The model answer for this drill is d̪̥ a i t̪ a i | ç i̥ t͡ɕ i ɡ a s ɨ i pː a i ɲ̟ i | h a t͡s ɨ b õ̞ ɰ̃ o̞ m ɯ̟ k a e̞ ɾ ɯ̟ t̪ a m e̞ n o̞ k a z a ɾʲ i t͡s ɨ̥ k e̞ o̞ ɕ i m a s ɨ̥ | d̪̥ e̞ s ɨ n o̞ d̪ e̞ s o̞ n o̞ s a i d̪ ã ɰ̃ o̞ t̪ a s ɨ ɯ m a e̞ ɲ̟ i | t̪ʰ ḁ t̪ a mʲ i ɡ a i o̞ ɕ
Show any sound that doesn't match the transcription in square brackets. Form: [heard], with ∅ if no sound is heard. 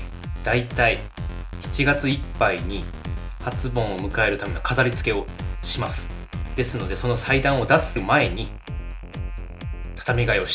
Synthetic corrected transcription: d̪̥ a i t̪ a i | ç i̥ t͡ɕ i ɡ a [t͡s] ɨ i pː a i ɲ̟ i | h a t͡s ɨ b õ̞ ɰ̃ o̞ m ɯ̟ k a e̞ ɾ ɯ̟ t̪ a m e̞ n o̞ k a z a ɾʲ i t͡s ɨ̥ k e̞ o̞ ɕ i m a s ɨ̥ | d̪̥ e̞ s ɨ n o̞ d̪ e̞ s o̞ n o̞ s a i d̪ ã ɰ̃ o̞ [d̪] a s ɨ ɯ m a e̞ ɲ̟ i | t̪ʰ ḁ t̪ a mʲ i ɡ a i o̞ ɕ